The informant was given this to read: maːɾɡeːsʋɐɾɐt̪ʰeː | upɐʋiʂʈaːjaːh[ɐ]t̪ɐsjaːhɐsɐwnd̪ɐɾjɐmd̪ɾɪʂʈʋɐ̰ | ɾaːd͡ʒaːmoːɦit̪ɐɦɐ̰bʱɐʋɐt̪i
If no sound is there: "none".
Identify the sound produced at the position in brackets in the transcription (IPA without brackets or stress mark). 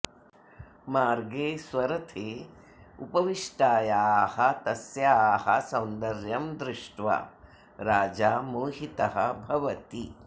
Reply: ɐ